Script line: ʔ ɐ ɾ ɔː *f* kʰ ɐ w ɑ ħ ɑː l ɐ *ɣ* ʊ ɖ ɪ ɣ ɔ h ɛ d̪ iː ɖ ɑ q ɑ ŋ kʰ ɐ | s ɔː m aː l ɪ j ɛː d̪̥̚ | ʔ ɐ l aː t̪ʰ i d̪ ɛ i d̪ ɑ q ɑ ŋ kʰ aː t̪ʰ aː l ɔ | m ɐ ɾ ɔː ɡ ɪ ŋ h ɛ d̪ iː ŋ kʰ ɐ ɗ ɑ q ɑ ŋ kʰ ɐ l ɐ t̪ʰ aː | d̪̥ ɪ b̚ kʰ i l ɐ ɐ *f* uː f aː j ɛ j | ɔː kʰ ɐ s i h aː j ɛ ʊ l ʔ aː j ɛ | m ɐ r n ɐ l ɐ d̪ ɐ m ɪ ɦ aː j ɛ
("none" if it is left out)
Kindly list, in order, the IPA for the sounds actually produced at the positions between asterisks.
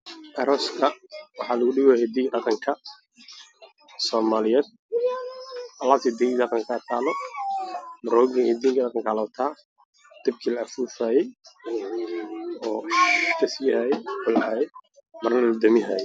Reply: s, ɣ, f

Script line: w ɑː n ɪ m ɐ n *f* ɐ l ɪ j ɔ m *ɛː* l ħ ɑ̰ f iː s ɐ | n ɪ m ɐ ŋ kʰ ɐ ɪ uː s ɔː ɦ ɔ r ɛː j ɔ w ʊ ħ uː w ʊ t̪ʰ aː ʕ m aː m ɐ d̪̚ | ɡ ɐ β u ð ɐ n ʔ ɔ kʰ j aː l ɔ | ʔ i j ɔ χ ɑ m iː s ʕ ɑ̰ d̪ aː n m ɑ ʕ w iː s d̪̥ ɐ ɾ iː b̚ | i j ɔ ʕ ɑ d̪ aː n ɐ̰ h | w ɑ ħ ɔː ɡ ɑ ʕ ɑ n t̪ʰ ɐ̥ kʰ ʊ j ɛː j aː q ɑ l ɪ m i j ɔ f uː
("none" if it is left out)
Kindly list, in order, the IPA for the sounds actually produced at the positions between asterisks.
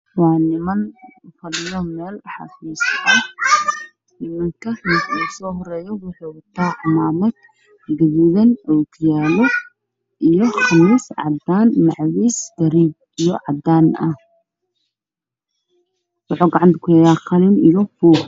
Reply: f, ɛː

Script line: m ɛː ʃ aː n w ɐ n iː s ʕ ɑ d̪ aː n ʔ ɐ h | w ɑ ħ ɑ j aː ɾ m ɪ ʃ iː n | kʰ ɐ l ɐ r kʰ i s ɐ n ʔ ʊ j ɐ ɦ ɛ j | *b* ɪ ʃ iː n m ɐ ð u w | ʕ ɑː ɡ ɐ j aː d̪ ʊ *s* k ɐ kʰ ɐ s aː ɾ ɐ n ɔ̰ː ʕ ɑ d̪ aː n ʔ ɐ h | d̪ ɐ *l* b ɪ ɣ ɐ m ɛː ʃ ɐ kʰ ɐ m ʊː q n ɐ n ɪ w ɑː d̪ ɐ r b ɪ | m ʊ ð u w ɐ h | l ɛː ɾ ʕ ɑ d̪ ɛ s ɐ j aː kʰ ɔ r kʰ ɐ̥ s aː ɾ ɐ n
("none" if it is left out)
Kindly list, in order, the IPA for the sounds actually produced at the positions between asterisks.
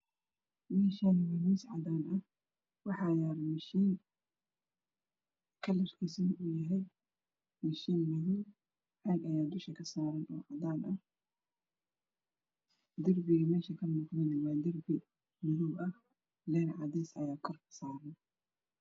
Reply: m, ʃ, r

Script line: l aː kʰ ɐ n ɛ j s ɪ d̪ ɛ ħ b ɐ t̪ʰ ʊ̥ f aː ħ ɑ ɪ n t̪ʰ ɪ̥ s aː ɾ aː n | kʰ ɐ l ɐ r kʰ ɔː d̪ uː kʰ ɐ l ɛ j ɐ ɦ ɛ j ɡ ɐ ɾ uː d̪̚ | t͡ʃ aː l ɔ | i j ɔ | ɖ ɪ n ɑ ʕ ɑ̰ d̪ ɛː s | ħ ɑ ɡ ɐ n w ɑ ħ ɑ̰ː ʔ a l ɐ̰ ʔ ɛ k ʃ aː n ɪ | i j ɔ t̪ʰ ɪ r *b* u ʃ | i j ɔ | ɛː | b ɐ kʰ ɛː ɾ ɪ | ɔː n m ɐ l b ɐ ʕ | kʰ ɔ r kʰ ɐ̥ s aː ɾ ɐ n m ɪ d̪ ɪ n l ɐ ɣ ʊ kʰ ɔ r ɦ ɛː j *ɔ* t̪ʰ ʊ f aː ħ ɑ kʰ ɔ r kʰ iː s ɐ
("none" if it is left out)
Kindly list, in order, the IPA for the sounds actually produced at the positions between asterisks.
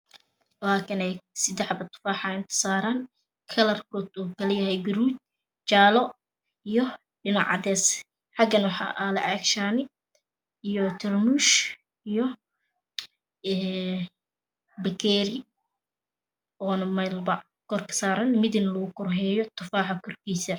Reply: m, ɔ

